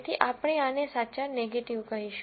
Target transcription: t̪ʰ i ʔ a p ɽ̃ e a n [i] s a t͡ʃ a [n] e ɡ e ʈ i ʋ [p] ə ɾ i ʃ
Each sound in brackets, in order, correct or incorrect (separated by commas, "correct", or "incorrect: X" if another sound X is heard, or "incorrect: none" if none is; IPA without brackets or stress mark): incorrect: e, correct, incorrect: k